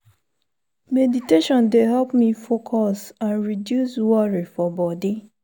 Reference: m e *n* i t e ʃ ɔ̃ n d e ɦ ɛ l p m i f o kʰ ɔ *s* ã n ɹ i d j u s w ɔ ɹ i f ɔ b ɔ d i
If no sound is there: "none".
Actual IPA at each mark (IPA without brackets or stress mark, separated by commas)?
d, s